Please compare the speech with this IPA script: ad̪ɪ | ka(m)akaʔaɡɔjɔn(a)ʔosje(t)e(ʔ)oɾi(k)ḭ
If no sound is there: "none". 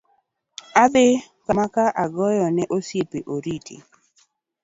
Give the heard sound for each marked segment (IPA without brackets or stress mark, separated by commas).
m, ɛ, p, ʔ, t